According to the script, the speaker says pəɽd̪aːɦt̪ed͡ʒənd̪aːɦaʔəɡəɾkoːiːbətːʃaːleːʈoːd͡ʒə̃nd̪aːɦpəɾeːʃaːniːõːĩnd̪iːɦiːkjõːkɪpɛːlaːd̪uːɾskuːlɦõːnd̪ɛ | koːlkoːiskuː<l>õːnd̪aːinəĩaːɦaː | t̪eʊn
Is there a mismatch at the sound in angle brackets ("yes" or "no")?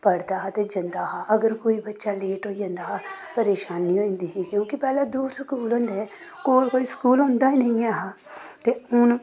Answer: no